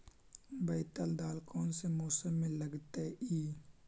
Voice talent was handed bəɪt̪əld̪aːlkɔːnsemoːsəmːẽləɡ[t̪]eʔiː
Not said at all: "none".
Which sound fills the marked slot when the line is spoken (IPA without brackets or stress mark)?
t̪